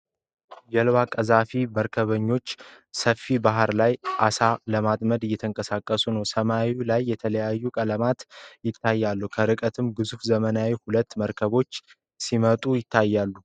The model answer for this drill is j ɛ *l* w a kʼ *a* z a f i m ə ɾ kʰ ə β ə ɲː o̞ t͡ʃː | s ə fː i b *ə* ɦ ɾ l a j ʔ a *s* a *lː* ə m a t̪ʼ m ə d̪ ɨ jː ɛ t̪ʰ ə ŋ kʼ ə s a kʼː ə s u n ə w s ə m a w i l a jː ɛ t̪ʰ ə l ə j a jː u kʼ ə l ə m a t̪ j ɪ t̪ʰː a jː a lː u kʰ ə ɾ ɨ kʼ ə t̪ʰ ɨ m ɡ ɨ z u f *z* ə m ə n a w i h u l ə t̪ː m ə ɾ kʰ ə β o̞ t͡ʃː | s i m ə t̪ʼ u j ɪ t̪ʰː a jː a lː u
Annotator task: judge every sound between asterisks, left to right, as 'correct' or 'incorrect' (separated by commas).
correct, incorrect, incorrect, correct, incorrect, correct